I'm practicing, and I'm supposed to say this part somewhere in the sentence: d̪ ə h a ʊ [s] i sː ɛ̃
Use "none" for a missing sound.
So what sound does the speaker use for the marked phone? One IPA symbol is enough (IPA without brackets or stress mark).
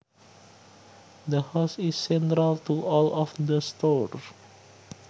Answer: s